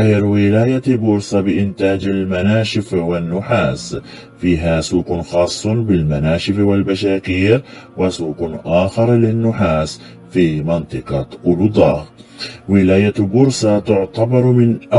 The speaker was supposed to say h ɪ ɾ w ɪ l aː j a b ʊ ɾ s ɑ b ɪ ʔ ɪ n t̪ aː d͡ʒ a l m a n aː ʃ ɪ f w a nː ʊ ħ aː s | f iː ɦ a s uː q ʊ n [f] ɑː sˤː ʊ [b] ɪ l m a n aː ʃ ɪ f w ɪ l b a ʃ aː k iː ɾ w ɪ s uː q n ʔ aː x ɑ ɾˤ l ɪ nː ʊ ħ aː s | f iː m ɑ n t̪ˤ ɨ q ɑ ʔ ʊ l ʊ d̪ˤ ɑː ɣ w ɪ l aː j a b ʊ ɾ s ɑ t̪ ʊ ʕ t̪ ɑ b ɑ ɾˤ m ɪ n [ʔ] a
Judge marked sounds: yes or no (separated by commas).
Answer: no, yes, yes